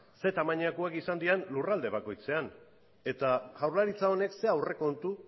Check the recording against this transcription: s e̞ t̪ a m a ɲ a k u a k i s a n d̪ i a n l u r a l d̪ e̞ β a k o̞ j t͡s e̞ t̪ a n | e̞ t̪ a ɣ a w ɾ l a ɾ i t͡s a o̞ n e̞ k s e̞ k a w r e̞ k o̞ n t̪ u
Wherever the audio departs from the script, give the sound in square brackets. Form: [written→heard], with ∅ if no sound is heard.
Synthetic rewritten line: s e̞ t̪ a m a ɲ a k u a k i s a n d̪ i a n l u r a l d̪ e̞ β a k o̞ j t͡s e̞ [t̪→∅] a n | e̞ t̪ a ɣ a w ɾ l a ɾ i t͡s a o̞ n e̞ k s e̞ [k→∅] a w r e̞ k o̞ n t̪ u